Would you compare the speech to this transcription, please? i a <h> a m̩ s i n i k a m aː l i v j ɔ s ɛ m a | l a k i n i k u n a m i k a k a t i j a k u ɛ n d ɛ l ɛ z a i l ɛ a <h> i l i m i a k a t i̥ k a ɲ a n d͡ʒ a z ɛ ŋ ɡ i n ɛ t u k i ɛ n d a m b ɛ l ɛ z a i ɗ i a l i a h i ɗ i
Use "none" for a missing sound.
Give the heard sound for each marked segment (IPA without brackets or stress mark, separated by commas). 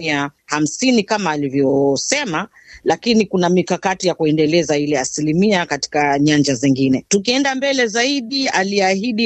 h, s